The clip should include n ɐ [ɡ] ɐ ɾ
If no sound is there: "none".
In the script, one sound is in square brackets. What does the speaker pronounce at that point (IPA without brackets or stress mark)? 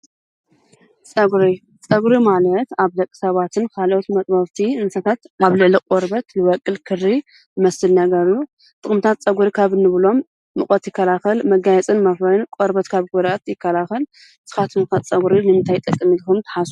ɡ